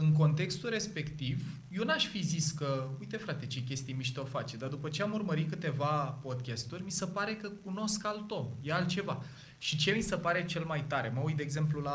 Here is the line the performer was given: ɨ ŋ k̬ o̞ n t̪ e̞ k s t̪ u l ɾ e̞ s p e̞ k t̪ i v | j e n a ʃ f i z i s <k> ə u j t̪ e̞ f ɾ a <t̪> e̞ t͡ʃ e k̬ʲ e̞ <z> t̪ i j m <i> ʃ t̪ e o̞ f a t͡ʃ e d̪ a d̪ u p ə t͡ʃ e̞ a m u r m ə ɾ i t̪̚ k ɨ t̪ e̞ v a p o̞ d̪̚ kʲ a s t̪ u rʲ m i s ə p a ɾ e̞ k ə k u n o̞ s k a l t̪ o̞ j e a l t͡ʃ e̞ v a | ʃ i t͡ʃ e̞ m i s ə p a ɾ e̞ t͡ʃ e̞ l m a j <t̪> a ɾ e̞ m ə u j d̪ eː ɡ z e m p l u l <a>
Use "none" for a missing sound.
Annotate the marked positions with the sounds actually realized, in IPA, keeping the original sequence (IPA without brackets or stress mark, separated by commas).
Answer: k, t̪, s, i, t̪, a